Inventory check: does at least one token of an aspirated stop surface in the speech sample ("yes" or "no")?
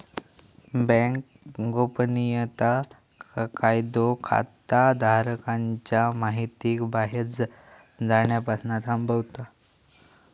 yes